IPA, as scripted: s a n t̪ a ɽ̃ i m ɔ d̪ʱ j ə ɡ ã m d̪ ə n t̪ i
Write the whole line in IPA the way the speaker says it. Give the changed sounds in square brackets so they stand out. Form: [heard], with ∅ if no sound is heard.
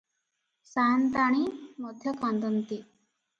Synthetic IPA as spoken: s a n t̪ a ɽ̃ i m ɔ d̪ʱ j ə [k] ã [n] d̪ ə n t̪ i